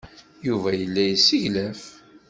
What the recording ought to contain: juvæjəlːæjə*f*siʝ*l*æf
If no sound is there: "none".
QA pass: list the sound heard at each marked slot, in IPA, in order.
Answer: none, l

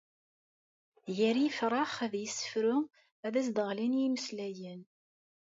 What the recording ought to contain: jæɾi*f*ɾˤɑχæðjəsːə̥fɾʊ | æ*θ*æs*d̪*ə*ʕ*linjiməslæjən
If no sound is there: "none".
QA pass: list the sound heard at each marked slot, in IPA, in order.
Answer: f, ð, d̪, ʁ

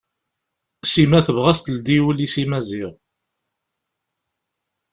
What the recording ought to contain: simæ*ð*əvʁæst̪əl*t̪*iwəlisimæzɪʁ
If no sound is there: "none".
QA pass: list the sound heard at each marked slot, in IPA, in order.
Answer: θ, d̪

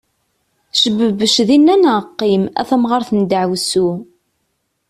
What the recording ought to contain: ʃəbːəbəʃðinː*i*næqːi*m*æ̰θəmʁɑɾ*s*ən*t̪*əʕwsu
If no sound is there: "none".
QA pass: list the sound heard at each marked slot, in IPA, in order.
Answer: æ, m, θ, d̪

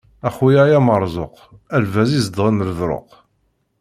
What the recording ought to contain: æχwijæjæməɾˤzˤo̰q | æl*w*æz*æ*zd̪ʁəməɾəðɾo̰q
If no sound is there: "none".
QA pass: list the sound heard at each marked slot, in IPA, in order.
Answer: v, i

